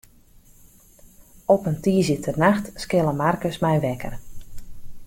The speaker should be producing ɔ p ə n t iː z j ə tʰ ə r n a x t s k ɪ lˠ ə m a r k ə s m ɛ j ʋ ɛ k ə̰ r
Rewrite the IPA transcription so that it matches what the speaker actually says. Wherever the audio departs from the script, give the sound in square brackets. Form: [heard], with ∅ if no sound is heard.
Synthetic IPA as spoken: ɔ p ə n t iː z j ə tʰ ə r n a x t s k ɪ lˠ ə m a r k ə s m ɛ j ʋ ɛ k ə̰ r